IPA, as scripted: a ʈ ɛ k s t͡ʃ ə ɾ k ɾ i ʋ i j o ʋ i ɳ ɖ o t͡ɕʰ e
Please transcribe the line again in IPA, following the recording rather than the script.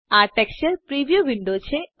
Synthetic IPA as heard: a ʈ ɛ k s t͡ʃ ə ɾ p ɾ i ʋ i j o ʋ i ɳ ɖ o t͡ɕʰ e

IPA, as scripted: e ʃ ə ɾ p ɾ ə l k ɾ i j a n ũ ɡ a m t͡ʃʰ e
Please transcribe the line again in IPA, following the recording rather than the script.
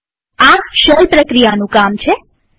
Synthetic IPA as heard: a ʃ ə l p ɾ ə k ɾ i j a n ũ k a m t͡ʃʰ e

